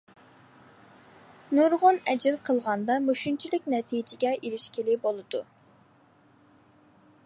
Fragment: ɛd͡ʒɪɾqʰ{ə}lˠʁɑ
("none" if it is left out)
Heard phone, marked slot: ə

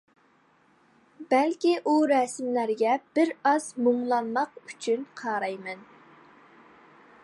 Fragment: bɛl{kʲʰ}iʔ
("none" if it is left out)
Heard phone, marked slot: kʲ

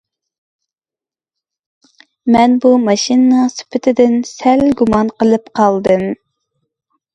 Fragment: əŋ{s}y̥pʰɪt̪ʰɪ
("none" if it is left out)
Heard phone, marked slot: s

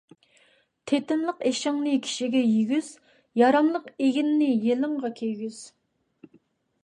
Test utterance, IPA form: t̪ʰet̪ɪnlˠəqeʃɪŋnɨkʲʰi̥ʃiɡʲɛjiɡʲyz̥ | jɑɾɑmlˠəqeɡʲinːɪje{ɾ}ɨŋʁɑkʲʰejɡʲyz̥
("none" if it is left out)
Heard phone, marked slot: l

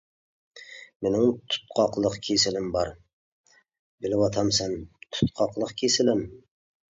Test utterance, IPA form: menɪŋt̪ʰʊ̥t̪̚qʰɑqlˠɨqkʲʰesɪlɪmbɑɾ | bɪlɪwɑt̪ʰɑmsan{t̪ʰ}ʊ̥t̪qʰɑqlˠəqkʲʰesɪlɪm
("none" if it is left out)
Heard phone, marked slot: t̪ʰ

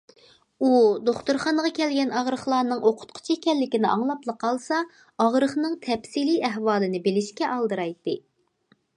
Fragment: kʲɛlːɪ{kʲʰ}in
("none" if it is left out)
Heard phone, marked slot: kʲ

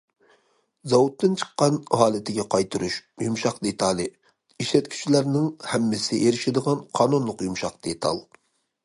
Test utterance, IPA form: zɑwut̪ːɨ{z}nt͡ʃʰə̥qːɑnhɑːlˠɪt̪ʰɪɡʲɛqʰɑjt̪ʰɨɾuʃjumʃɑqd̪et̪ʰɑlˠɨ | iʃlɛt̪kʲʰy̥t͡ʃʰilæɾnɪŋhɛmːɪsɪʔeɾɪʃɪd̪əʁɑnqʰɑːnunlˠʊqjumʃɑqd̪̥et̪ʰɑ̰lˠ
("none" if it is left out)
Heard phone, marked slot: none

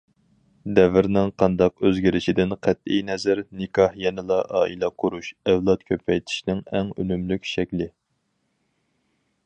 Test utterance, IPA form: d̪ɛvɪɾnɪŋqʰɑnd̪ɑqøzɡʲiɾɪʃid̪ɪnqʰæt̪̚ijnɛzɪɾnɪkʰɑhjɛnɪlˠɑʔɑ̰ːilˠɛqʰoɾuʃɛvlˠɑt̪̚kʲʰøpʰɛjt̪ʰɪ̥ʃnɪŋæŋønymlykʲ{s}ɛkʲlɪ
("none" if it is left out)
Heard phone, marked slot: ʃ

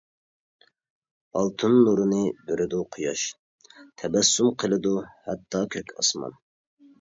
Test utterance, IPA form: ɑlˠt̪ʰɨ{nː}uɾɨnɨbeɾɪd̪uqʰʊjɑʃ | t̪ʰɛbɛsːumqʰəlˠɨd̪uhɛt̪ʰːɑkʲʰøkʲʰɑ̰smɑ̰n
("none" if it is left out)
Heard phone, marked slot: nː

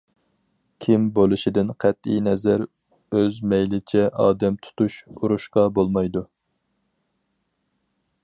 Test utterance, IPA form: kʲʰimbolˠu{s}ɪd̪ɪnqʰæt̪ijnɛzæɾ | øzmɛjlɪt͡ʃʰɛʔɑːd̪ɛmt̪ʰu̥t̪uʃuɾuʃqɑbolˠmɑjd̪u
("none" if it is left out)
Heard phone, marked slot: ʃ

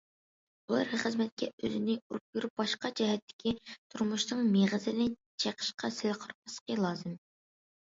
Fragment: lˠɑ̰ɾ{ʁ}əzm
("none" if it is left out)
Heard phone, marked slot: χ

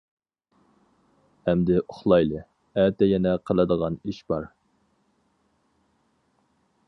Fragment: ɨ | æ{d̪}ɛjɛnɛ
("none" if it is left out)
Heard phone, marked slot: t̪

